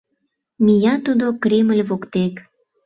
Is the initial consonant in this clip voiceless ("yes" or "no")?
no